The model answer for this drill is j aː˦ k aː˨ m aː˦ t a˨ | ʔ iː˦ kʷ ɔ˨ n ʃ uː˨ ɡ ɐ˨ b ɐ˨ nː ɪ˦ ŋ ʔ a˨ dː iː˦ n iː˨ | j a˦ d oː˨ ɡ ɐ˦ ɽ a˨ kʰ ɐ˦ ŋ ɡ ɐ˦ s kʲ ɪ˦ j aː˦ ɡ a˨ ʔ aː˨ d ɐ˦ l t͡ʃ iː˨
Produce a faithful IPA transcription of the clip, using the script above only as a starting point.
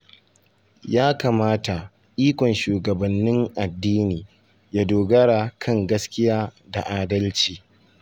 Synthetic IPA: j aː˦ k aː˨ m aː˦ t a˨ | ʔ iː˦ kʷ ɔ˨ n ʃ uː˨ ɡ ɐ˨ b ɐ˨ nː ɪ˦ ŋ ʔ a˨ dː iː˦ n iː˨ | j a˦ d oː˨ ɡ ɐ˦ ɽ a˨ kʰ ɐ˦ ŋ ɡ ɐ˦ s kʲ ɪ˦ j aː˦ d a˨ ʔ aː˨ d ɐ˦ l t͡ʃ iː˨